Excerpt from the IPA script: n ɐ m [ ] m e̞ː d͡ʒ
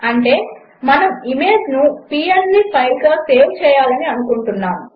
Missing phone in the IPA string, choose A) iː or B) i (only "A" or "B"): B